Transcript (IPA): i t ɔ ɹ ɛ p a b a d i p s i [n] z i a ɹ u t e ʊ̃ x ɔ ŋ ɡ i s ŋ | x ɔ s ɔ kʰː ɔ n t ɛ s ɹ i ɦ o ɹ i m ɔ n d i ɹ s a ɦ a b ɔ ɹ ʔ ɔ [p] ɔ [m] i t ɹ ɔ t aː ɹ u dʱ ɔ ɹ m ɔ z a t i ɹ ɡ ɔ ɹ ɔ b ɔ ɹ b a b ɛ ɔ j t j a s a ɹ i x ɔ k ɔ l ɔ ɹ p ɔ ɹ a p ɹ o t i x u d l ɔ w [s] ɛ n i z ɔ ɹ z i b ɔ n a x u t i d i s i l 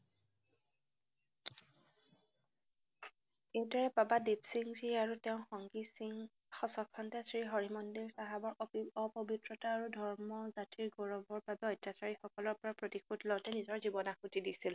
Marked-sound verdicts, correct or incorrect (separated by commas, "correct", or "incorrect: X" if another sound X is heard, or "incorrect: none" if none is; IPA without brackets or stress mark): incorrect: ŋ, correct, incorrect: b, incorrect: t